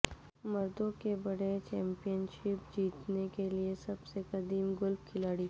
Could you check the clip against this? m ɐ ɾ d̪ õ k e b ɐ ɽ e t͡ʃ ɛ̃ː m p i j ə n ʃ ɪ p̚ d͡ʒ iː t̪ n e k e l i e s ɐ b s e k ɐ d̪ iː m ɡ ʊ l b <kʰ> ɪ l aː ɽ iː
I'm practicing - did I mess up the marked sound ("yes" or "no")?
no